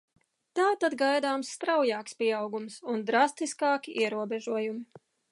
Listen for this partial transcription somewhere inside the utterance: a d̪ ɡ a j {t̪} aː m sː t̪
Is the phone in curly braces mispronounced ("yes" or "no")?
yes